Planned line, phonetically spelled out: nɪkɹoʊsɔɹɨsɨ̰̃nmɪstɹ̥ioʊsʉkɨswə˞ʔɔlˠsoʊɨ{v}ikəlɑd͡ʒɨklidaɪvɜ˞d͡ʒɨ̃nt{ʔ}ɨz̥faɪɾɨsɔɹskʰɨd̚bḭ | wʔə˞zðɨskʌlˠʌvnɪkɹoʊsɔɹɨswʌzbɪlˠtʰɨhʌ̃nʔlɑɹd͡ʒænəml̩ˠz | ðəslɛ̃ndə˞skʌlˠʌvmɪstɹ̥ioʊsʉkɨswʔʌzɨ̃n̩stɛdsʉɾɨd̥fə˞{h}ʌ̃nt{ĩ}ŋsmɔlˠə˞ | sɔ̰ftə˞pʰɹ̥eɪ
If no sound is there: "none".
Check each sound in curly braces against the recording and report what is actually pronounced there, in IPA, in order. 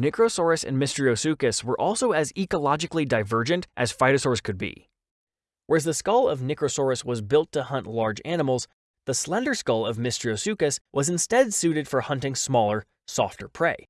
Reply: z, ʔ, h, ɪ̃

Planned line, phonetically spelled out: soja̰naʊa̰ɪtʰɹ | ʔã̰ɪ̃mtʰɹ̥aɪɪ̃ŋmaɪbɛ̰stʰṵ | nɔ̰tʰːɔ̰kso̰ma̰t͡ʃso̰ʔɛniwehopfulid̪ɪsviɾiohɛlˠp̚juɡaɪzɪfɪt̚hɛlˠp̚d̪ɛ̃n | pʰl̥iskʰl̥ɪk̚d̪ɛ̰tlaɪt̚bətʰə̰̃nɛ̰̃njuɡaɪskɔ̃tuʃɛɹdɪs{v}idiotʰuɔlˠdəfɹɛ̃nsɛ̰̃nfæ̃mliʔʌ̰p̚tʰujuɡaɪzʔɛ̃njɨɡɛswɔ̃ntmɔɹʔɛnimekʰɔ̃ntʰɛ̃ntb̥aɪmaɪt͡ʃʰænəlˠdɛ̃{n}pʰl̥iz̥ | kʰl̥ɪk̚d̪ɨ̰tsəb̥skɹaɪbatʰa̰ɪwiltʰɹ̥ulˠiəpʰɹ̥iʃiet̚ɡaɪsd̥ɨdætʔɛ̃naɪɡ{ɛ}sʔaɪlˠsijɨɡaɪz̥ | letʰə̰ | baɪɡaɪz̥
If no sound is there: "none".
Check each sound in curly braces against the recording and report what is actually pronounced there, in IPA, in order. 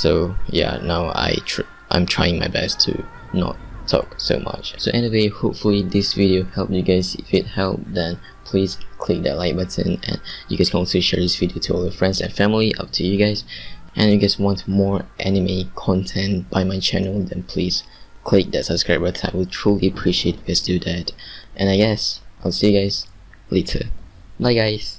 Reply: v, n, ɛ

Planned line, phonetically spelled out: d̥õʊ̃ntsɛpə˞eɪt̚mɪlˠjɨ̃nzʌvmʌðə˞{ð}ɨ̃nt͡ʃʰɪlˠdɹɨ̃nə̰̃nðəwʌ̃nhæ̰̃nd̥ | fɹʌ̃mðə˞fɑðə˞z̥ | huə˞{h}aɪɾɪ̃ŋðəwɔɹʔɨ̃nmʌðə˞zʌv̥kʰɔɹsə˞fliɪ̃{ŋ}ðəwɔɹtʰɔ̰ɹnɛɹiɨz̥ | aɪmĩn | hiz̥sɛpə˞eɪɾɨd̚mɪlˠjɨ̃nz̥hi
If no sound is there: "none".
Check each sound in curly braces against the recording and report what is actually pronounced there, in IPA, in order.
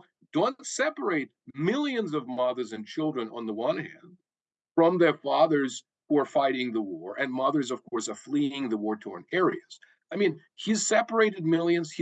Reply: z, f, ŋ

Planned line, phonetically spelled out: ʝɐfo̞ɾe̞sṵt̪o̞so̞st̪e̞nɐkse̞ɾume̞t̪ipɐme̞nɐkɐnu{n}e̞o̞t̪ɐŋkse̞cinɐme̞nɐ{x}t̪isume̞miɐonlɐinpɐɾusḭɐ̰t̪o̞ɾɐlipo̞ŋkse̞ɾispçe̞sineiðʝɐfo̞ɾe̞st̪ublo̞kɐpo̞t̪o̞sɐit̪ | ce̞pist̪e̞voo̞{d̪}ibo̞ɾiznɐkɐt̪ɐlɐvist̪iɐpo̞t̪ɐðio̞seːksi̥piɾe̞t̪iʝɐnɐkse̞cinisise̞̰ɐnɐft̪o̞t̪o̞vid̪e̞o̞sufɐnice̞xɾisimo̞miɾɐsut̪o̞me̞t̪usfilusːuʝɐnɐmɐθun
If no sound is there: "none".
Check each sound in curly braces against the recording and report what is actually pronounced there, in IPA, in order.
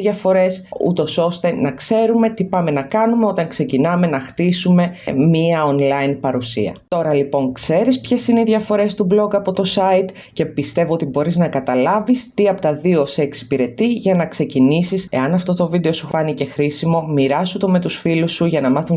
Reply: m, x, t̪

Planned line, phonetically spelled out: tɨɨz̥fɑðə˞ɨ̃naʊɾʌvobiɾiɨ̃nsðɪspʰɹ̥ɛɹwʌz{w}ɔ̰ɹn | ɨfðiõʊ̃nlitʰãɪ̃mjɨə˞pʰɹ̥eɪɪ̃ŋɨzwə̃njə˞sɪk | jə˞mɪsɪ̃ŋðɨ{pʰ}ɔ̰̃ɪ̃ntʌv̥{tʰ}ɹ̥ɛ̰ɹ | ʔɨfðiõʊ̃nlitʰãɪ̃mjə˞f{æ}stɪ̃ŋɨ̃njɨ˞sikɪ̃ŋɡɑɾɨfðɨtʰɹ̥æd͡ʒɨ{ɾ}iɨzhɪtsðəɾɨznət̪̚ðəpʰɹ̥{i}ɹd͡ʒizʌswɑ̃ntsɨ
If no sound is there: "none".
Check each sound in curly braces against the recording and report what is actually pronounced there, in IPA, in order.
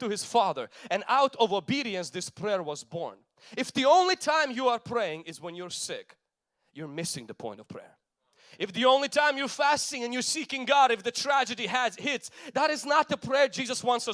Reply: b, pʰ, pʰ, æ, ɾ, ɛ

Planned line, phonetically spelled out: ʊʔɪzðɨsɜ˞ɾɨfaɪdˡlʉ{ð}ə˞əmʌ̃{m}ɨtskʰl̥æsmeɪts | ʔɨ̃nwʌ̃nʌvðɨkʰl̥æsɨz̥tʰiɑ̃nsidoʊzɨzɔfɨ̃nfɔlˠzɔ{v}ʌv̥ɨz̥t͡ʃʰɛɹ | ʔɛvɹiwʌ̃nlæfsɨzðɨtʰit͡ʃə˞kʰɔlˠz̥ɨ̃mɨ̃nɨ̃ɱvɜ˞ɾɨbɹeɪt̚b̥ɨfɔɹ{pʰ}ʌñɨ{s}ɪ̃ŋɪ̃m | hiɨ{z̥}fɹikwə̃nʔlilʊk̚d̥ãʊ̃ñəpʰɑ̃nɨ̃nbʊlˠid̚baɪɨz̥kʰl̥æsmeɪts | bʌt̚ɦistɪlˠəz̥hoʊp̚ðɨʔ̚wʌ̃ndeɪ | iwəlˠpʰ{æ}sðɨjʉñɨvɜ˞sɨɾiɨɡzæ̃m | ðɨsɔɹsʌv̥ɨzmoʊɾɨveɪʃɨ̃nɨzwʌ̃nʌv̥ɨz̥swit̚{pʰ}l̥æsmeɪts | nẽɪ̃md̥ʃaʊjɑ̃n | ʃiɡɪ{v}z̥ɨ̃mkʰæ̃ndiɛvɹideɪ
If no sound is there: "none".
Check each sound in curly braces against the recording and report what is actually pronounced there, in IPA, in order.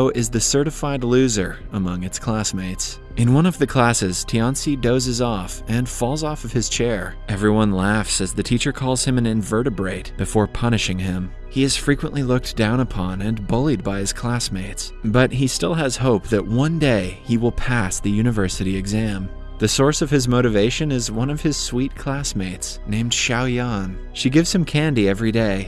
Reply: z, ŋ, f, pʰ, ʃ, z̥, æ, kʰ, v

